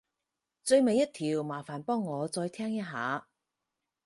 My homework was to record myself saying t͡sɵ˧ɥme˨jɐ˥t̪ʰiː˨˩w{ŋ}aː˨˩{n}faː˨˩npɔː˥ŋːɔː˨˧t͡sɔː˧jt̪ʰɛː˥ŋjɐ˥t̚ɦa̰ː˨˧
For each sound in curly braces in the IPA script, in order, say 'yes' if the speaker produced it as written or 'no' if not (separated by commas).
no, no